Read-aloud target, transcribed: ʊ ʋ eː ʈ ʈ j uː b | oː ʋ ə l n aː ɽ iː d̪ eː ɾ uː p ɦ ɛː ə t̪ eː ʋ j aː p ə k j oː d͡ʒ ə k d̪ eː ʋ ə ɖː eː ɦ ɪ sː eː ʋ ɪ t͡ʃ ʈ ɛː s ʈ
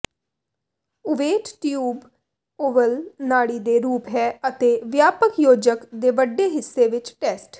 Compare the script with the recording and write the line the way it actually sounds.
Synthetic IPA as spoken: ʊ ʋ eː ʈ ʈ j uː b | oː ʋ ə l n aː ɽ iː d̪ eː ɾ uː p ɦ ɛː ə t̪ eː ʋ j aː p ə k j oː d͡ʒ ə k d̪ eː ʋ ə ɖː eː ɦ ɪ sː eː ʋ ɪ t͡ʃ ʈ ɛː s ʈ

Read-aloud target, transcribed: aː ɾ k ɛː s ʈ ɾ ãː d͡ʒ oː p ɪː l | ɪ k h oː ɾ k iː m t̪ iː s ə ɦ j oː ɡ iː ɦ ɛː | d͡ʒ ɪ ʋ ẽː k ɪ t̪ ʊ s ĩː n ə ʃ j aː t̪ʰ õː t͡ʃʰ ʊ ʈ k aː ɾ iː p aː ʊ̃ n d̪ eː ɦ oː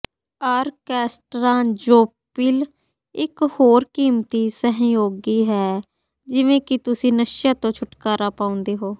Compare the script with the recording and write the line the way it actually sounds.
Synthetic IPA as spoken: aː ɾ k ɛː s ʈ ɾ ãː d͡ʒ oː p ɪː l | ɪ k h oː ɾ k iː m t̪ iː s ə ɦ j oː ɡ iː ɦ ɛː | d͡ʒ ɪ ʋ ẽː k ɪ t̪ ʊ s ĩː n ə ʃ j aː t̪ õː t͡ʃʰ ʊ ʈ k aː ɾ aː p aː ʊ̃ n d̪ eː ɦ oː

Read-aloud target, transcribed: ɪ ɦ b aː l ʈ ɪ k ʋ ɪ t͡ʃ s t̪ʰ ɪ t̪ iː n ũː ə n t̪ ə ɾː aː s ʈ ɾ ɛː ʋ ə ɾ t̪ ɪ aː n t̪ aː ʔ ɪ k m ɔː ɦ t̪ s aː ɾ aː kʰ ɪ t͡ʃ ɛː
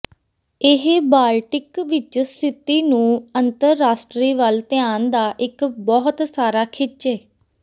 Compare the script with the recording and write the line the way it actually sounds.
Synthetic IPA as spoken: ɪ ɦ b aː l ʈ ɪ k ʋ ɪ t͡ʃ s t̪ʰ ɪ t̪ iː n ũː ə n t̪ ə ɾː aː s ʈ ɾ iː ʋ ə l t̪ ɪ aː n d̪ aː ʔ ɪ k b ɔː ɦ t̪ s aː ɾ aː kʰ ɪ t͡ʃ ɛː

